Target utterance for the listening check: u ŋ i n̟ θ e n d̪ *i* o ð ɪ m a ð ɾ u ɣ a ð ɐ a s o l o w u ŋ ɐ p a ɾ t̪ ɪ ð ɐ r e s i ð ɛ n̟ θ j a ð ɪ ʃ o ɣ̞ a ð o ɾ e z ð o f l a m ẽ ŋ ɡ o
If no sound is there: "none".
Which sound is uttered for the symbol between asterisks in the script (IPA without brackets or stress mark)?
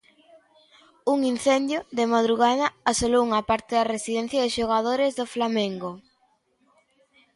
j